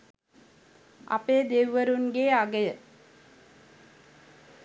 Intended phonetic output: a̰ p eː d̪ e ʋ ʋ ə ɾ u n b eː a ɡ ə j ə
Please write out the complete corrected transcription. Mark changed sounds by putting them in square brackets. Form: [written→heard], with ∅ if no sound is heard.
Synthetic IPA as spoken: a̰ p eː d̪ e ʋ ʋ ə ɾ u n [b→ɡ] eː a ɡ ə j ə